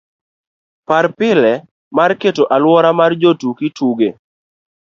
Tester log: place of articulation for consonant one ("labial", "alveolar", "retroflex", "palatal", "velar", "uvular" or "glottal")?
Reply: labial